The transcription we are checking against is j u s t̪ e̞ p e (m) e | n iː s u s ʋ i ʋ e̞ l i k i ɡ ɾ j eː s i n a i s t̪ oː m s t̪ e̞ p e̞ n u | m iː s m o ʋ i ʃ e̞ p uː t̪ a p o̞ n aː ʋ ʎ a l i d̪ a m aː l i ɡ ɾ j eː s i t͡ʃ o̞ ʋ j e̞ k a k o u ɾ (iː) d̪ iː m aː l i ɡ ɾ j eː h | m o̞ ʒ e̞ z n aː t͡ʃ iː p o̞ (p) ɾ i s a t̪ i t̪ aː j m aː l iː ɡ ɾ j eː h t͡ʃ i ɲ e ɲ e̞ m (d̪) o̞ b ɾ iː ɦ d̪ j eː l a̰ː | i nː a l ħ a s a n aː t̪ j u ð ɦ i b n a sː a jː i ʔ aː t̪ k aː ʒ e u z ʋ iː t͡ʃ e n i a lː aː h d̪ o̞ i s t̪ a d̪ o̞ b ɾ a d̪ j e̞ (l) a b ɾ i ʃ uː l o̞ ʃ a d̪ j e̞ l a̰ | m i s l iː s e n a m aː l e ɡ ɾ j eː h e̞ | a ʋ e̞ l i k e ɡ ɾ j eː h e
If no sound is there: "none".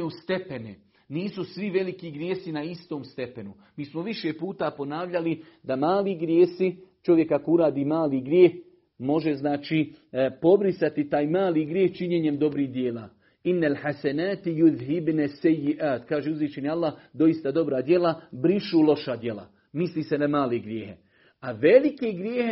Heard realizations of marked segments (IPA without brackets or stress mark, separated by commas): n, aː, b, d̪, l